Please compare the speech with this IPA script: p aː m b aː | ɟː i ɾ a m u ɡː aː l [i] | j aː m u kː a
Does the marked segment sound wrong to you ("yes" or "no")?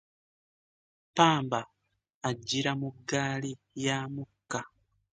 no